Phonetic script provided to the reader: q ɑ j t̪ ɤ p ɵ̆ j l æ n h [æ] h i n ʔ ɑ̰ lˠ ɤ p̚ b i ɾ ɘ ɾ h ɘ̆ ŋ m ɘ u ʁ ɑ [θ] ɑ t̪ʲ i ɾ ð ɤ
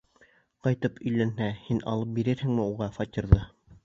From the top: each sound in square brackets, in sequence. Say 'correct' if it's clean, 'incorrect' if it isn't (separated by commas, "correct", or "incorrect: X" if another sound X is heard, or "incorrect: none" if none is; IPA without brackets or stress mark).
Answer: correct, incorrect: f